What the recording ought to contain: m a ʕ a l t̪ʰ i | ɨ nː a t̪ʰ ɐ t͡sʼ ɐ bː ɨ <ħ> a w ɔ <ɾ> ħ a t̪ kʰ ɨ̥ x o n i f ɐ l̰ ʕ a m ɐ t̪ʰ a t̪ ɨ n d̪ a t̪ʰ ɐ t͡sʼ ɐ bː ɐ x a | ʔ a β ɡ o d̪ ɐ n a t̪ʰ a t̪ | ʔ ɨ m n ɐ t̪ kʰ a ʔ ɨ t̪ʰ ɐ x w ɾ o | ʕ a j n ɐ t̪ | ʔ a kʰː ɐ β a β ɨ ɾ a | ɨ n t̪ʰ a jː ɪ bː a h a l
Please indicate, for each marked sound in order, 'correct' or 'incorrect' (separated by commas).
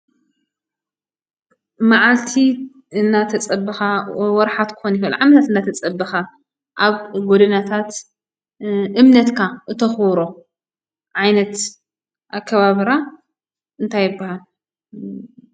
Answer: incorrect, correct